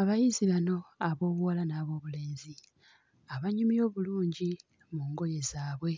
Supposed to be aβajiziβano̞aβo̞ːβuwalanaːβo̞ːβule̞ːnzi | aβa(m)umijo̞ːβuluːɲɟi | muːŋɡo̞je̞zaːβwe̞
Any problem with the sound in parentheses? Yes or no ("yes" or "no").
yes